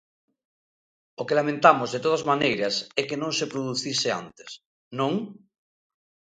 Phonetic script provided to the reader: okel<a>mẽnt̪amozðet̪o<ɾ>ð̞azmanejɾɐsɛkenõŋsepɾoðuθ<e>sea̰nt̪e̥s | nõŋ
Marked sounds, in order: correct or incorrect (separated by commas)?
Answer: correct, incorrect, incorrect